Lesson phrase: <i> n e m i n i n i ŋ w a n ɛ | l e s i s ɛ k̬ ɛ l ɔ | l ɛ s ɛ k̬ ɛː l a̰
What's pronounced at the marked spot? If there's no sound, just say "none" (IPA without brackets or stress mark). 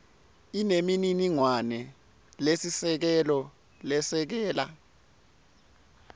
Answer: i